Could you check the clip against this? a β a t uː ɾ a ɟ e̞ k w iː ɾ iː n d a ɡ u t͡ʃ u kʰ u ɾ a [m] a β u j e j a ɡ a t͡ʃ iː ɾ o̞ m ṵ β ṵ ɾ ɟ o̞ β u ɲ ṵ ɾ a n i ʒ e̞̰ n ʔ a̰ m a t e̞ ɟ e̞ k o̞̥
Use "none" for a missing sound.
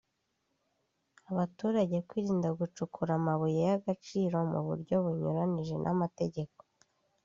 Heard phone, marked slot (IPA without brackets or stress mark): m